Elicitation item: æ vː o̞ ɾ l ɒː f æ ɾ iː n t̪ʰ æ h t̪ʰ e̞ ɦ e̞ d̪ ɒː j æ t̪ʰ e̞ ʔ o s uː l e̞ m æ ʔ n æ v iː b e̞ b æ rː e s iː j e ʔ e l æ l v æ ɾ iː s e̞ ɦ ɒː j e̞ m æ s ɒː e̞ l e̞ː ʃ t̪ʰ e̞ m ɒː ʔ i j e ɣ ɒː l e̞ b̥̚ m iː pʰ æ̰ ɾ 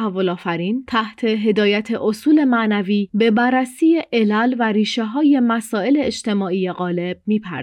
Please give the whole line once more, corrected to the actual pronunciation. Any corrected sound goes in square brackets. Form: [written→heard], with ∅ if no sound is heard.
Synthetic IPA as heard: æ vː o̞ [ɾ→∅] l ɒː f æ ɾ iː n t̪ʰ æ h t̪ʰ e̞ ɦ e̞ d̪ ɒː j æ t̪ʰ e̞ ʔ o s uː l e̞ m æ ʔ n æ v iː b e̞ b æ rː [e→æ] s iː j e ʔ e l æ l v æ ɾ iː [s→ʃ] e̞ ɦ ɒː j e̞ m æ s ɒː e̞ l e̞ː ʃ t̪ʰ e̞ m ɒː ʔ i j e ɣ ɒː l e̞ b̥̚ m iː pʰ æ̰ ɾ